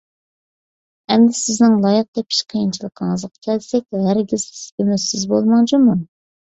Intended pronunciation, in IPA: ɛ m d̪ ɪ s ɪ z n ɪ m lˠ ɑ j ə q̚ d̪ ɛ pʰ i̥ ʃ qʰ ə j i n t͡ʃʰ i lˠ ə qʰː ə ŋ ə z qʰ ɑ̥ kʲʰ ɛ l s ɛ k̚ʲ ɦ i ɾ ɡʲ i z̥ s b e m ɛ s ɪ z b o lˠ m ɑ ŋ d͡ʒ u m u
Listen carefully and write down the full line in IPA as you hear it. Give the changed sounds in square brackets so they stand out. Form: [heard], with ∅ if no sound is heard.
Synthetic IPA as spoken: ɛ m d̪ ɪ s ɪ z n ɪ [ŋ] lˠ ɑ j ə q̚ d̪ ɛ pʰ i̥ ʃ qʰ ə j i n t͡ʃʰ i lˠ ə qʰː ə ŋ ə z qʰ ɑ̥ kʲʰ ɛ l s ɛ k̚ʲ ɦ [æ] ɾ ɡʲ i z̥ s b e m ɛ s ɪ z b o lˠ m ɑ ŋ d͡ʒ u m u